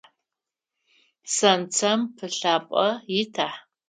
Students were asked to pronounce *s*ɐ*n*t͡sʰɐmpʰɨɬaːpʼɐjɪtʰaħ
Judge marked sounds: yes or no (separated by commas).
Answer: yes, yes